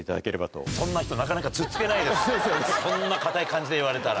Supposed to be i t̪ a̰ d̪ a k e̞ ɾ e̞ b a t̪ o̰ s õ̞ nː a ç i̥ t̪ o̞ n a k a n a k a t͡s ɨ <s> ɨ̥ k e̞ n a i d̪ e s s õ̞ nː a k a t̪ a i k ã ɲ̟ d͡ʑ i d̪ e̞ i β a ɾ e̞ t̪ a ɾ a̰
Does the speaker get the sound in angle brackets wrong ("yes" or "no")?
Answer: yes